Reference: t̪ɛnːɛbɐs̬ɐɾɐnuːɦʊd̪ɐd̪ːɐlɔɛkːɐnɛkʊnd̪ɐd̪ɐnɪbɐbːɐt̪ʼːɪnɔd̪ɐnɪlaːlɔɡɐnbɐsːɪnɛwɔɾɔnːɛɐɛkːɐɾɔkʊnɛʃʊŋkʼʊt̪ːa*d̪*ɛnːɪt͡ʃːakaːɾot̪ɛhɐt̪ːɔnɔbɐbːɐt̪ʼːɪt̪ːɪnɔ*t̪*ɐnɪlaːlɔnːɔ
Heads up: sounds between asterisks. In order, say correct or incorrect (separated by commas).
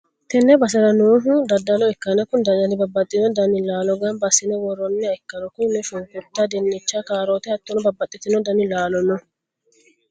correct, incorrect